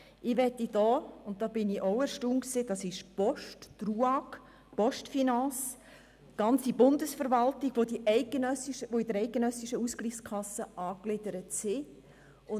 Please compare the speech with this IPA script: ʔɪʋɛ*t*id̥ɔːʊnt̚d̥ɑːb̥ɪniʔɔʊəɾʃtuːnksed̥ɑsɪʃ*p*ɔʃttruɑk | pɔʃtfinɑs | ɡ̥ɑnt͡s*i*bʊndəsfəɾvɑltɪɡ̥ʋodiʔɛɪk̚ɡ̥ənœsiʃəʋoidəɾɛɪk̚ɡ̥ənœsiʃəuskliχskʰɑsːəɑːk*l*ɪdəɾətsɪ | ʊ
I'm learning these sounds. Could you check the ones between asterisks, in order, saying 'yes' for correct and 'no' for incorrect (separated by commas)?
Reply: yes, yes, yes, yes